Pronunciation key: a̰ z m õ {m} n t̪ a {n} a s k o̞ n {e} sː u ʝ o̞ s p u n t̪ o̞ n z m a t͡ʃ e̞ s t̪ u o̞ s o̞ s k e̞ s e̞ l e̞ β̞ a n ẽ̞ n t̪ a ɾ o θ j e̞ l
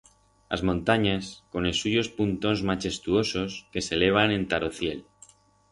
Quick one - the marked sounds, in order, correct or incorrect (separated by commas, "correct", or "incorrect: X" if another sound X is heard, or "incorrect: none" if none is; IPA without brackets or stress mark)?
incorrect: none, incorrect: ɲ, correct